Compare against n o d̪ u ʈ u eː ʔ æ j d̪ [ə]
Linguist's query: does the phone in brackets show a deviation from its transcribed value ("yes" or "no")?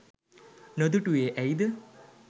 no